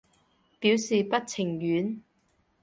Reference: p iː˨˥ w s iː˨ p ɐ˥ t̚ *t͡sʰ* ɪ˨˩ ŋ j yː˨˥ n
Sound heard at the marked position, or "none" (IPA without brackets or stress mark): t͡sʰ